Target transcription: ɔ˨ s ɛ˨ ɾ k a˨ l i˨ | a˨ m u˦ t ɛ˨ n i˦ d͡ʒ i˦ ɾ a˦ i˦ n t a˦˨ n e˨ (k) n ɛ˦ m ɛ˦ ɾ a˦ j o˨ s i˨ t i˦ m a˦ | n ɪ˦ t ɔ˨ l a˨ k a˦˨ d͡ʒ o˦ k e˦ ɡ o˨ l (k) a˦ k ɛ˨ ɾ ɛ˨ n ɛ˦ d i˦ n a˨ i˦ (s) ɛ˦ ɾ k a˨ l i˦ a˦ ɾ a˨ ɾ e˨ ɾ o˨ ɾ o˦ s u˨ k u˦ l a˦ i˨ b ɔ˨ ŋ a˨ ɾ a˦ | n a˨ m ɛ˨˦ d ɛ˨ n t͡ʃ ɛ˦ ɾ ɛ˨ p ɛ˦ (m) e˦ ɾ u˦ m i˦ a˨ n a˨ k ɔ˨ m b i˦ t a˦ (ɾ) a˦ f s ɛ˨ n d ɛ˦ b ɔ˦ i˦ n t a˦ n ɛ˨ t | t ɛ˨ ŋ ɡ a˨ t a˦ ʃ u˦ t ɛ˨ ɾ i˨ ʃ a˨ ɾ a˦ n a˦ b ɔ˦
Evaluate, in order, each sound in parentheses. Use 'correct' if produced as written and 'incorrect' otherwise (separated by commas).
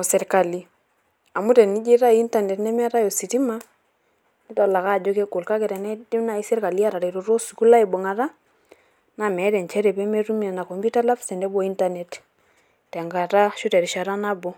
incorrect, correct, correct, correct, incorrect